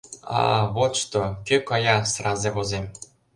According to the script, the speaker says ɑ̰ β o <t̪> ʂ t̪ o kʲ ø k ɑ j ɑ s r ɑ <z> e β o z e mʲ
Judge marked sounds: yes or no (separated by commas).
yes, yes